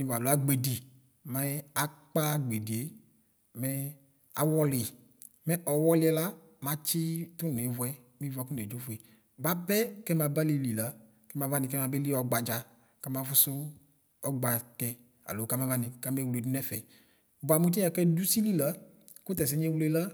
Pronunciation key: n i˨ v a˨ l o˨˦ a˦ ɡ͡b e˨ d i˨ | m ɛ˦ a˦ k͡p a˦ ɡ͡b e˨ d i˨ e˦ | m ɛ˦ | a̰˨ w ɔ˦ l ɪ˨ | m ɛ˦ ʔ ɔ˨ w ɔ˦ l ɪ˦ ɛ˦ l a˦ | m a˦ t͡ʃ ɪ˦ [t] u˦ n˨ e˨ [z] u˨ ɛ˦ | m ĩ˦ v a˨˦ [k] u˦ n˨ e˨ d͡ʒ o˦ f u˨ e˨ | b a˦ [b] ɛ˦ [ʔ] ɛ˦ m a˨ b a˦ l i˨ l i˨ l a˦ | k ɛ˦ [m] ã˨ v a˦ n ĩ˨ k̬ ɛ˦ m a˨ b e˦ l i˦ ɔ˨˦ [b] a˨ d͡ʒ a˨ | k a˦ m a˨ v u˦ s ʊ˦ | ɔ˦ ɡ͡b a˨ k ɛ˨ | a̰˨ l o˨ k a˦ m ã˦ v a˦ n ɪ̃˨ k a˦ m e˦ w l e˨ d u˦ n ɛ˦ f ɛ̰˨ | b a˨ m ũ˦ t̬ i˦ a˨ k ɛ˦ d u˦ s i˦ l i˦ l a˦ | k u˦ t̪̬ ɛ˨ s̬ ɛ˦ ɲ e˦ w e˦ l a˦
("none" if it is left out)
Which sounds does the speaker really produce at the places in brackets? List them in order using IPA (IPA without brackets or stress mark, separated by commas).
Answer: t, v, k, b, k, m, ɡ͡b